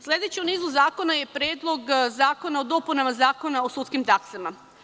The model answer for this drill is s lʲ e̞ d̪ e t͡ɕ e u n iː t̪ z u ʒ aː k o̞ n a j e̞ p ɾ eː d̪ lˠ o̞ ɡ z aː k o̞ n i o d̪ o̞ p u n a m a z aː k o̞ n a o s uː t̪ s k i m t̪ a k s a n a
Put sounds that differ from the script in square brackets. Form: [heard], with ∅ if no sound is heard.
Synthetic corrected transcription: s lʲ e̞ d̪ e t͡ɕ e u n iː [∅] z u [z] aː k o̞ n a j e̞ p ɾ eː d̪ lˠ o̞ ɡ z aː k o̞ n [a] o d̪ o̞ p u n a m a z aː k o̞ n a o s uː t̪ s k i m t̪ a k s a [m] a